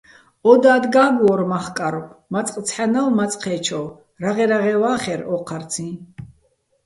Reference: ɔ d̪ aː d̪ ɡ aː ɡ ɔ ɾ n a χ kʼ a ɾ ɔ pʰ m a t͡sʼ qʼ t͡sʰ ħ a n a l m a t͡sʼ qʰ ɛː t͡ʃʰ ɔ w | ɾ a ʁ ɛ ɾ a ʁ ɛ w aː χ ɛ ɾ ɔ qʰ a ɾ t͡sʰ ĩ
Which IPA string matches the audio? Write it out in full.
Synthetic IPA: ɔ d̪ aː d̪ ɡ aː ɡ ɔ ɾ m a χ kʼ a ɾ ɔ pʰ m a t͡sʼ qʼ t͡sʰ ħ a n a l m a t͡sʼ qʰ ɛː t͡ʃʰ ɔ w | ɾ a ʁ ɛ ɾ a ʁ ɛ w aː χ ɛ ɾ ɔ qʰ a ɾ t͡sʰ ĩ